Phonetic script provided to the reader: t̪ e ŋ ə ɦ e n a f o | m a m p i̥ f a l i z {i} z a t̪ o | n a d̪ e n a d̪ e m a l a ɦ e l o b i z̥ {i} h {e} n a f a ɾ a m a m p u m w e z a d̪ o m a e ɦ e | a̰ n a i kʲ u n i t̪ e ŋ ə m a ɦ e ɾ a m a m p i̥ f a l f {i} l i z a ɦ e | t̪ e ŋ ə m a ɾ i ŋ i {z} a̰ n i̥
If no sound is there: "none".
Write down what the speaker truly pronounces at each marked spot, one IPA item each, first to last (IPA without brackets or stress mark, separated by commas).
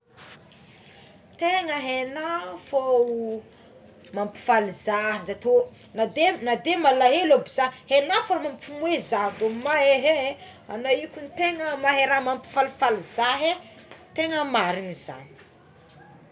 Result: a, a, e, a, z